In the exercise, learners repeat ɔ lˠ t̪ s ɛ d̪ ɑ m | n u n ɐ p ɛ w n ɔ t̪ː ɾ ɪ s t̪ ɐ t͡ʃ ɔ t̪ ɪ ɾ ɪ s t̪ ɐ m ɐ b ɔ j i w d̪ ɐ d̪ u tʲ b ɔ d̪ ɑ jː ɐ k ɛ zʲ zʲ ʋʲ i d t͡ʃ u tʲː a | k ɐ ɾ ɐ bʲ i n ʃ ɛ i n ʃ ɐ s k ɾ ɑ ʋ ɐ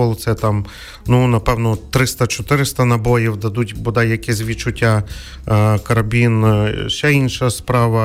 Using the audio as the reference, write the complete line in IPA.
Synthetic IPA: ɔ lˠ t̪ s ɛ t̪ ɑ m | n u n ɐ p ɛ w n ɔ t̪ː ɾ ɪ s t̪ ɐ t͡ʃ ɔ t̪ ɪ ɾ ɪ s t̪ ɐ n ɐ b ɔ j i w d̪ ɐ d̪ u tʲ b ɔ d̪ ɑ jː ɐ k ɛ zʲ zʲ ʋʲ i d t͡ʃ ʊ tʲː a | k ɐ ɾ ɐ bʲ i n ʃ ɛ i n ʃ ɐ s p ɾ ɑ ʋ ɐ